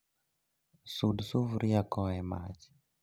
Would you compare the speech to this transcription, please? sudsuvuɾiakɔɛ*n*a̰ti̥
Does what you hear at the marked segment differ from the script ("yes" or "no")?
yes